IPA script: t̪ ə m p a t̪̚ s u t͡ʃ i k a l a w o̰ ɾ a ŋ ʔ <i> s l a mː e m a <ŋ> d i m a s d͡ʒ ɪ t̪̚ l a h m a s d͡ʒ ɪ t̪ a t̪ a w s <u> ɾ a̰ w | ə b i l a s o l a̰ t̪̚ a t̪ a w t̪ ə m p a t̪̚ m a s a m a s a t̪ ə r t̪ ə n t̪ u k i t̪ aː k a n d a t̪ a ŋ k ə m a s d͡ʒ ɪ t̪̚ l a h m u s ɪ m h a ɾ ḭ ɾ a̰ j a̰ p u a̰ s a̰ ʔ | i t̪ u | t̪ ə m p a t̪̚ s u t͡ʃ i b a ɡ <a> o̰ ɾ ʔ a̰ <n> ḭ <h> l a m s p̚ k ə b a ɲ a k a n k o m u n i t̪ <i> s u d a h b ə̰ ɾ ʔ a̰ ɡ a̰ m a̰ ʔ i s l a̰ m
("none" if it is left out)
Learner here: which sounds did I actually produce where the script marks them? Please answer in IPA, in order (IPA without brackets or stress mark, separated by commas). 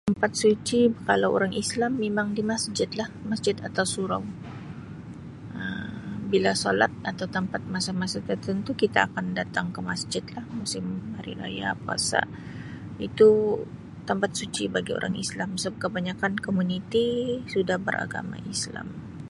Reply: i, ŋ, u, i, ŋ, s, i